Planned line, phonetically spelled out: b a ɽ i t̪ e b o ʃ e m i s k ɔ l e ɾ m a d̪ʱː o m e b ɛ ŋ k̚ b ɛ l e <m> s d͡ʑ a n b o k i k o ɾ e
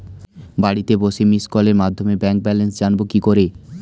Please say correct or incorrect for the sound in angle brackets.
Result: incorrect